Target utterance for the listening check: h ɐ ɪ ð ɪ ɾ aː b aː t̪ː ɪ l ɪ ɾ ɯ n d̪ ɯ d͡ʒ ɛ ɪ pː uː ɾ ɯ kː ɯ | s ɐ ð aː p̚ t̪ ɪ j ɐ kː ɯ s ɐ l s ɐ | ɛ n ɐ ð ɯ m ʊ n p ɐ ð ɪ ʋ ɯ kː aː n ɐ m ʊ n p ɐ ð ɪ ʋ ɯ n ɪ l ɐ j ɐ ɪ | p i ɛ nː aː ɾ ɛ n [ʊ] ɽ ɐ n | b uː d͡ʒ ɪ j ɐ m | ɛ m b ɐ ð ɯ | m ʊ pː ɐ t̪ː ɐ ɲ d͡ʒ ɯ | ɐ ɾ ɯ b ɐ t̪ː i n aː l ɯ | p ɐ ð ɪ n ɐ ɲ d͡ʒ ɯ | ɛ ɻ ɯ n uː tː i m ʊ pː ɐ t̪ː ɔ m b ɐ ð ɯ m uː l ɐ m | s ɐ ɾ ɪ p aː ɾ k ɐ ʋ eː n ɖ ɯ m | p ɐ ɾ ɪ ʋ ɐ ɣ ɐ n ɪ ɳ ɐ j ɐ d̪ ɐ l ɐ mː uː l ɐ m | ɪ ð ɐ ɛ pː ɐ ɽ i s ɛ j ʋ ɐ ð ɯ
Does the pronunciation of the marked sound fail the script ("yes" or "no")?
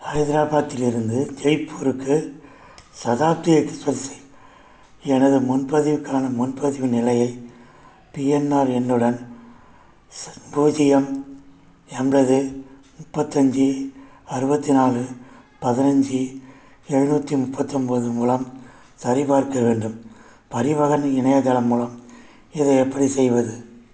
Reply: yes